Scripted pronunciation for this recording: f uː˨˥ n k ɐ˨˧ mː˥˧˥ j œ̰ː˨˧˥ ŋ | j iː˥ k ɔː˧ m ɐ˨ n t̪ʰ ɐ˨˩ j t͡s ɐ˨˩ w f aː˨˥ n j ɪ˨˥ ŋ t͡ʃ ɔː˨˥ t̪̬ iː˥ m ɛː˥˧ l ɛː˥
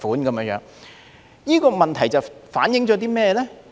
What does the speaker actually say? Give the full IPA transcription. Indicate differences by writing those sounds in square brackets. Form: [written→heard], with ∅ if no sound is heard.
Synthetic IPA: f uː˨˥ n k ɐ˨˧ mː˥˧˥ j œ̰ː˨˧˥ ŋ | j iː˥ k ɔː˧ m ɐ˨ n t̪ʰ ɐ˨˩ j t͡s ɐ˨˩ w f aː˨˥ n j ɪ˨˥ ŋ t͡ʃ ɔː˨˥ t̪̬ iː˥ m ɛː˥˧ l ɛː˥